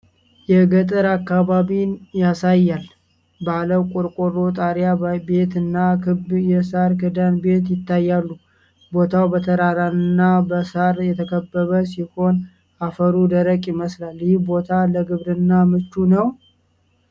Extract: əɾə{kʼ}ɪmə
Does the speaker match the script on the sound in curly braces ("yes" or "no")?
yes